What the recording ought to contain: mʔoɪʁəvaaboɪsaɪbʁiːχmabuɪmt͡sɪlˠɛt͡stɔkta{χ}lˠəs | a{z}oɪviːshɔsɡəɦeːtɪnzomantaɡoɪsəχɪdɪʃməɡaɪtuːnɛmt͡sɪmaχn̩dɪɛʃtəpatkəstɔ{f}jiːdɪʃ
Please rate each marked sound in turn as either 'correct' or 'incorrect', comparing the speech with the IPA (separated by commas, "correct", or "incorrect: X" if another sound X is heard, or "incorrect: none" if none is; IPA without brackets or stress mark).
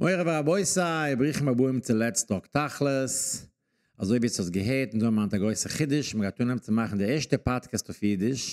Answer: correct, correct, correct